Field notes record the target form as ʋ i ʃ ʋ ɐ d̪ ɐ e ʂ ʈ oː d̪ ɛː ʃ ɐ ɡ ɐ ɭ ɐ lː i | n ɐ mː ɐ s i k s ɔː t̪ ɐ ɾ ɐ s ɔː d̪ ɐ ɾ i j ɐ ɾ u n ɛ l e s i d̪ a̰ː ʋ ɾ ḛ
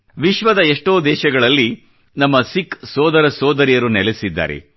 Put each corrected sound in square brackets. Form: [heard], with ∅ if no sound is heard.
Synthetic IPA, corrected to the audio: ʋ i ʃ ʋ ɐ d̪ ɐ e ʂ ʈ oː d̪ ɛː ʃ ɐ ɡ ɐ ɭ ɐ lː i | n ɐ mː ɐ s i k s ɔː [d̪] ɐ ɾ ɐ s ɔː d̪ ɐ ɾ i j ɐ ɾ u n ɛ l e s i [d̪ː] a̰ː [∅] ɾ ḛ